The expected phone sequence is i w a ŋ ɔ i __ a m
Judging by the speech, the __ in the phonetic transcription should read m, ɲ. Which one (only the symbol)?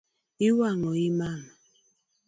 m